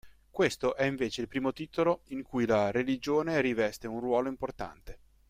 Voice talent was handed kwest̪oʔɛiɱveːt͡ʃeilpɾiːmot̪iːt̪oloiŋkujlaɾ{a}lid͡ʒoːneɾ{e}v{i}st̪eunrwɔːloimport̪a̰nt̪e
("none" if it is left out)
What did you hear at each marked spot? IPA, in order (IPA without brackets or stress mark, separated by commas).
e, i, ɛ